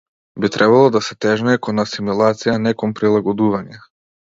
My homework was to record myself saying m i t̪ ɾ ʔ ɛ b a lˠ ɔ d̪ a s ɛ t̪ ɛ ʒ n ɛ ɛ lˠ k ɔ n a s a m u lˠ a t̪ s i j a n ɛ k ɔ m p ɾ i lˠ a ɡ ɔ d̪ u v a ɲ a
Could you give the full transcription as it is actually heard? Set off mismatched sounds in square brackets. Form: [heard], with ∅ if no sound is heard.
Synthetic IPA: [b] i t̪ ɾ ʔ ɛ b a lˠ ɔ d̪ a s ɛ t̪ ɛ ʒ n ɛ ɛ [∅] k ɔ n a s [i] m u lˠ a t̪ s i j a n ɛ k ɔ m p ɾ i lˠ a ɡ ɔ d̪ u v a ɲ [ɛ]